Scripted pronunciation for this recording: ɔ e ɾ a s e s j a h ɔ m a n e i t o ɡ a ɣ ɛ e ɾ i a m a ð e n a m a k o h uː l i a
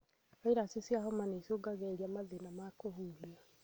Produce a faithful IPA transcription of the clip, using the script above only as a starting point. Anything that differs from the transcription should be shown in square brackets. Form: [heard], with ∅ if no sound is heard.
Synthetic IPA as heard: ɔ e ɾ a s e s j a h ɔ m a n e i [s] o ɡ a ɣ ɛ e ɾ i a m a ð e n a m a k o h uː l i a